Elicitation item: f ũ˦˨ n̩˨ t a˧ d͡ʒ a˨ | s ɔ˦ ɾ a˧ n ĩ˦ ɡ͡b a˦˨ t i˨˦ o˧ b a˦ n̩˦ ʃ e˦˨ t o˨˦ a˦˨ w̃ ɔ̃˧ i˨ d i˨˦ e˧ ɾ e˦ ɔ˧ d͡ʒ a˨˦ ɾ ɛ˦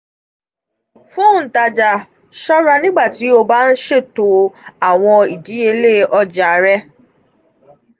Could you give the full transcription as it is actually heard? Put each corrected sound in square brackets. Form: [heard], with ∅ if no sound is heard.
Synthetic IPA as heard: f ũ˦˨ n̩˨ t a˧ d͡ʒ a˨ | [ʃ] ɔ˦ ɾ a˧ n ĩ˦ ɡ͡b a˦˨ t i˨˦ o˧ b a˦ n̩˦ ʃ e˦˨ t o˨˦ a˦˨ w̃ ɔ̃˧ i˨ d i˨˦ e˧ [l] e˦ ɔ˧ d͡ʒ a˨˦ ɾ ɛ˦